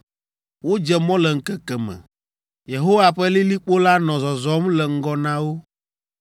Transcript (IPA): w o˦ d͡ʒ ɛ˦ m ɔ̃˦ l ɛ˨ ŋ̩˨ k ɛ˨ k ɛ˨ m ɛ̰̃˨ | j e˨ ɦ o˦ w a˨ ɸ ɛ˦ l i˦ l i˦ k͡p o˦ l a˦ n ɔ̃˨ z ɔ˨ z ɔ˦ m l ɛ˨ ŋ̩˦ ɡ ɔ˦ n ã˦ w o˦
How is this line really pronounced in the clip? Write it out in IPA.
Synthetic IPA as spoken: w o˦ d͡ʒ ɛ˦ m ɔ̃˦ l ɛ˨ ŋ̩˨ k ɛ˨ k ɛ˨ m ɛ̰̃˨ | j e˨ ɦ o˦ w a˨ ɸ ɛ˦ l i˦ l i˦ k͡p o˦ l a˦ n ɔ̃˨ z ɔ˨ z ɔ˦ m l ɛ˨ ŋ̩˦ ɡ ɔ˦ n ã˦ w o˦